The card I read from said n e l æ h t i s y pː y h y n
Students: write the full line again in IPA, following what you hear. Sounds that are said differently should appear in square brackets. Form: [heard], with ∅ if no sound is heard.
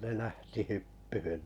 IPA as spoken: n e l æ h t i [h] y pː y h y n